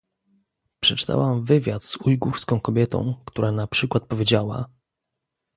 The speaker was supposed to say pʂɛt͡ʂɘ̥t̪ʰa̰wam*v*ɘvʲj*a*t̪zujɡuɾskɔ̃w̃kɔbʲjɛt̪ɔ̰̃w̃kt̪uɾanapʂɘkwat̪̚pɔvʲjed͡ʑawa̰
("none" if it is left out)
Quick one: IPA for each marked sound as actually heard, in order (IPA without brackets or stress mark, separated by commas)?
v, a